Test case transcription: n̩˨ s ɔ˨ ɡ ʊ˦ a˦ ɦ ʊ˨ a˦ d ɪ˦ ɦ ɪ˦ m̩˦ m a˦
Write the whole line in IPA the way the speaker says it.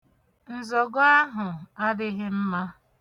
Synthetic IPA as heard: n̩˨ z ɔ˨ ɡ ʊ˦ a˦ ɦ ʊ˨ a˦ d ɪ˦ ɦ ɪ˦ m̩˦ m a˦